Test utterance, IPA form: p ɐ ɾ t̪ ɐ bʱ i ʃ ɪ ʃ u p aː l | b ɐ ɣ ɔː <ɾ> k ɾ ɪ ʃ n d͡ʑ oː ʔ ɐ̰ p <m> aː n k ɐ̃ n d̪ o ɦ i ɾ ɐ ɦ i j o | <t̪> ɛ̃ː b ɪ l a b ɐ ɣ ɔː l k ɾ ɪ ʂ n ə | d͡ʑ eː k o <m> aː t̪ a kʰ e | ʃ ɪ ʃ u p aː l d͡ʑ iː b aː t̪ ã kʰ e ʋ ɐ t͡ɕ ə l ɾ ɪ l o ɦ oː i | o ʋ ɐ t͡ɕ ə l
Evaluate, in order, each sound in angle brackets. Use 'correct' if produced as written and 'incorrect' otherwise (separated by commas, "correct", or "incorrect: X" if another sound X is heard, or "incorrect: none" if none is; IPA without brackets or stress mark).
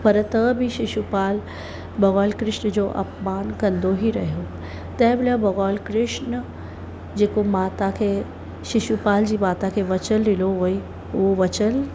incorrect: l, correct, correct, correct